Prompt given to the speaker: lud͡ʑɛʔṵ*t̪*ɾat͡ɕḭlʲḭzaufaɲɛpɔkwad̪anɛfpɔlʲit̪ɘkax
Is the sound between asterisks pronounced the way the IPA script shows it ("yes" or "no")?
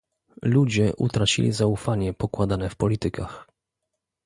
yes